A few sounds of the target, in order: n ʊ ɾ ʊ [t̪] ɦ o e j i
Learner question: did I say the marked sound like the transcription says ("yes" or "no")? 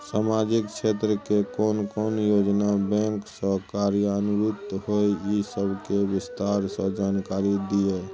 yes